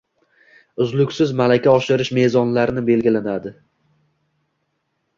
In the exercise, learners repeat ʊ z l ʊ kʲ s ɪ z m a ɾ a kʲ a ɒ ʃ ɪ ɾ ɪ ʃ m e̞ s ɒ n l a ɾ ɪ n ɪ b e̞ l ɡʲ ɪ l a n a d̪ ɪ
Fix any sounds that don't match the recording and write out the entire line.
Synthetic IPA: ʊ z l ʊ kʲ s ɪ z m a l a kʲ a ɒ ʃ ɪ ɾ ɪ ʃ m e̞ z ɒ n l a ɾ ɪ n ɪ b e̞ l ɡʲ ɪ l a n a d̪ ɪ